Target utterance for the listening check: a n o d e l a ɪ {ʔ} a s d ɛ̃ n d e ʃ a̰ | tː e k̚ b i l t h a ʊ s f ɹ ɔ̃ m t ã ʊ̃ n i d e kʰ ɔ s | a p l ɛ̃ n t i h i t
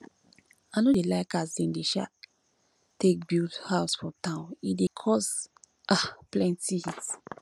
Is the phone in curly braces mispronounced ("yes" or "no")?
yes